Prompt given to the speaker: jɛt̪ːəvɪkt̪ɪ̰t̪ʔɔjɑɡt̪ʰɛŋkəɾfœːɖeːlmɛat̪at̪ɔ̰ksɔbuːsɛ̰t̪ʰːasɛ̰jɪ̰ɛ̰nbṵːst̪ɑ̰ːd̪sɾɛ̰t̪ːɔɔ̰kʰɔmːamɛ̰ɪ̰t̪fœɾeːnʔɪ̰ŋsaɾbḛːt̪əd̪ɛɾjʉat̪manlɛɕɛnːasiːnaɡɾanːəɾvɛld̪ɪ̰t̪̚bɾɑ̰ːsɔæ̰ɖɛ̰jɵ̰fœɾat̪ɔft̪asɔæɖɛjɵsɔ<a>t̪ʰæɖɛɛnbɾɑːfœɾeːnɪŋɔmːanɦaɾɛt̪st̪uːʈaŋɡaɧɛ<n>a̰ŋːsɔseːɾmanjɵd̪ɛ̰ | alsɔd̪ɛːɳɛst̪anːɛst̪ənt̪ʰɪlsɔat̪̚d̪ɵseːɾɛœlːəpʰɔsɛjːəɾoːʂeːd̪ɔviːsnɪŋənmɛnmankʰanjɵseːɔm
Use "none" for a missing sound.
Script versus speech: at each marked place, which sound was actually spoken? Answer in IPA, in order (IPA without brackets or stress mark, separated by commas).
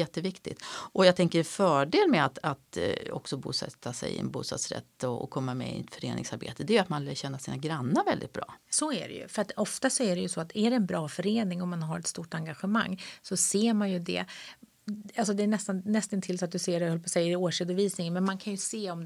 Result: a, m